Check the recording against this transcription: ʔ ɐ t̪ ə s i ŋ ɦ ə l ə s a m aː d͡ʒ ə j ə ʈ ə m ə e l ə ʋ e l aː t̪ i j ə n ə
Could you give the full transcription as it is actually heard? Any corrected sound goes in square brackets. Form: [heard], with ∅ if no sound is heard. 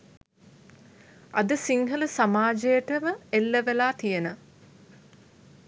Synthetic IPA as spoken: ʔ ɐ [d̪] ə s i ŋ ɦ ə l ə s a m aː d͡ʒ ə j ə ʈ ə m ə e [lː] ə ʋ e l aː t̪ i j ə n ə